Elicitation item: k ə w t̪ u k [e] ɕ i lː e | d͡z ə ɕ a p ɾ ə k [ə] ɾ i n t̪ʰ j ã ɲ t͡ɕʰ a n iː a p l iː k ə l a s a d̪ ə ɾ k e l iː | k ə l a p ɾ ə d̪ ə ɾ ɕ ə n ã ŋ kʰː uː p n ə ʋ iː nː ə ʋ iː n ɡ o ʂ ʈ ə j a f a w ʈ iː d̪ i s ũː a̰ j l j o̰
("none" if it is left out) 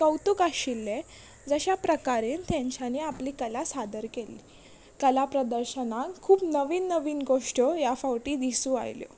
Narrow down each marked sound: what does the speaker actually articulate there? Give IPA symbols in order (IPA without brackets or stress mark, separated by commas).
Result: a, a